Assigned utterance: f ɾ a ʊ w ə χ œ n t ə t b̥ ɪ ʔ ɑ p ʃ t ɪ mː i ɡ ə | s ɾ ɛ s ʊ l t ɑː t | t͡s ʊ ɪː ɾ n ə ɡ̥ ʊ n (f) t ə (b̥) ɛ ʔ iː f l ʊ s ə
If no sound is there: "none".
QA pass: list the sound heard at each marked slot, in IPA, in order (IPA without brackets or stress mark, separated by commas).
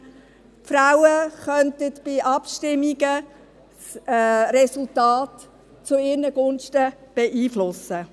ʃ, b̥